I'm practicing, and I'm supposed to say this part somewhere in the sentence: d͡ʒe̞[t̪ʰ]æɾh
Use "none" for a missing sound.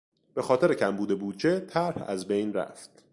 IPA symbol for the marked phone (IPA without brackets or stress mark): t̪ʰ